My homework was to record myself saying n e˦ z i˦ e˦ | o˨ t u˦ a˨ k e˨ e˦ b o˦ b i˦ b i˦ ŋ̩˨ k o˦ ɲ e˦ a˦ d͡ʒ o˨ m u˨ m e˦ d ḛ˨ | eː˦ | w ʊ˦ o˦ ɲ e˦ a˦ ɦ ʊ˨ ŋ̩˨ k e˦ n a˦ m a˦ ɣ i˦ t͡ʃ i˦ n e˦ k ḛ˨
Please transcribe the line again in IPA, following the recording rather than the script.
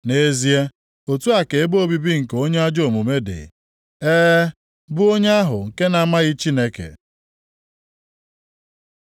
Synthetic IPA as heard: n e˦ z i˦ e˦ | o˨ t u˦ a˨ k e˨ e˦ b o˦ b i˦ b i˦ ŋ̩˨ k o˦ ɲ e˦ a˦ d͡ʒ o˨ m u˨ m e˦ d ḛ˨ | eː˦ | b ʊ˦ o˦ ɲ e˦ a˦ ɦ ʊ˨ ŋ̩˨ k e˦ n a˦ m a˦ ɣ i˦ t͡ʃ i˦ n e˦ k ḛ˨